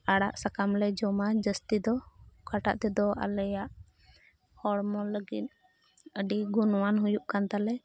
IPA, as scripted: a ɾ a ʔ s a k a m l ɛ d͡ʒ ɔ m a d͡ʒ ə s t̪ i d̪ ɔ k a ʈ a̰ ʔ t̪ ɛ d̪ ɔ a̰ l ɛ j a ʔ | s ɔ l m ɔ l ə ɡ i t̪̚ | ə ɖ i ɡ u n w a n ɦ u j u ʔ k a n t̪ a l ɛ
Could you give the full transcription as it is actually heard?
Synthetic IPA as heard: a ɽ a ʔ s a k a m l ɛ d͡ʒ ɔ m a d͡ʒ ə s t̪ i d̪ ɔ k a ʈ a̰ ʔ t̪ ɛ d̪ ɔ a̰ l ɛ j a ʔ | h ɔ ɽ m ɔ l ə ɡ i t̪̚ | ə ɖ i ɡ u n w a n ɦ u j u ʔ k a n t̪ a l ɛ